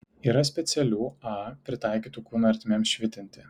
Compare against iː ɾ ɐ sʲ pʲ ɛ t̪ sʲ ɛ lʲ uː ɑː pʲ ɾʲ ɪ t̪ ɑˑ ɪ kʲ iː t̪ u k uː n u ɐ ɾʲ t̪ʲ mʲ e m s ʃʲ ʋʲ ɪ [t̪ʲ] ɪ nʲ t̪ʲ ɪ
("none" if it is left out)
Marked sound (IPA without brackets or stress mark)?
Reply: t̪ʲ